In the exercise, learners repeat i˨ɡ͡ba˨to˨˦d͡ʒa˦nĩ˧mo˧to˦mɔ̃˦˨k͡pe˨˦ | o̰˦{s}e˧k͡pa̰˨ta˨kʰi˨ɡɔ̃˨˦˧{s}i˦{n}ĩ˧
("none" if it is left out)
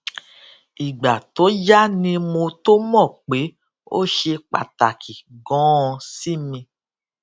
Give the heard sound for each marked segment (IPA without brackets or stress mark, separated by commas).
ʃ, s, m